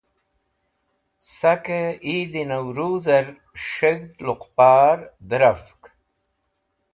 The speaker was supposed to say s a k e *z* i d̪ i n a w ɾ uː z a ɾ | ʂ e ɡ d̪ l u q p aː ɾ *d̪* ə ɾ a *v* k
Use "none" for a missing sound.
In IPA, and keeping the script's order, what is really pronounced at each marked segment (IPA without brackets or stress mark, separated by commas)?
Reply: none, d̪, f